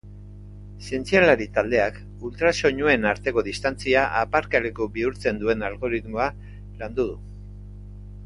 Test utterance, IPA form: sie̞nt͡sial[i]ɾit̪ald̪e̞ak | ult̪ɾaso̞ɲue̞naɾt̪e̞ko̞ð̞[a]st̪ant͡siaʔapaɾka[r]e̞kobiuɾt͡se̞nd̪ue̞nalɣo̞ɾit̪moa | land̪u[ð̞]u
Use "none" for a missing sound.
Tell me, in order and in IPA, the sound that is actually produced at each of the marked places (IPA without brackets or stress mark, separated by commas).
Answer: a, i, l, ð̞